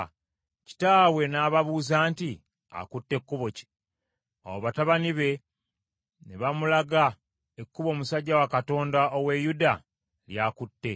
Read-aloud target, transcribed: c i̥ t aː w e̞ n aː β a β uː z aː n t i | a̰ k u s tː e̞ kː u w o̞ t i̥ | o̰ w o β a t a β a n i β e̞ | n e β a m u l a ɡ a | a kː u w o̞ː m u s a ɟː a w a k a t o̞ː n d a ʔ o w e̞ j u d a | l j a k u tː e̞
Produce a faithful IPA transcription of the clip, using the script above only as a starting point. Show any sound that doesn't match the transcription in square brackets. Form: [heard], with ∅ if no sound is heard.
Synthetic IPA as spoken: c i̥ t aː w e̞ n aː β a β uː z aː n t i | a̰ k u [∅] tː e̞ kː u [β] o̞ [c] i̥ | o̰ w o β a t a β a n i β e̞ | n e β a m u l a ɡ a | [e] kː u [β] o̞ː m u s a ɟː a w a k a t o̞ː n d a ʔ o w e̞ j u d a | l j a k u tː e̞